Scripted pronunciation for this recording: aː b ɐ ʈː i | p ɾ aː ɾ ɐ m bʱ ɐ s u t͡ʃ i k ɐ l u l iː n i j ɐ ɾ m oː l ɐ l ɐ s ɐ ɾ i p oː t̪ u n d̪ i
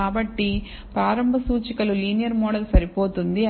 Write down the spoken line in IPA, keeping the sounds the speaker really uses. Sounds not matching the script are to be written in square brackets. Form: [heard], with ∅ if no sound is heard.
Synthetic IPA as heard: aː b ɐ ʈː i | p ɾ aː ɾ ɐ m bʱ ɐ s [uː] t͡ʃ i k ɐ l u l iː n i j ɐ ɾ m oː [ɽ] ɐ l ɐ s ɐ ɾ i p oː t̪ u n d̪ i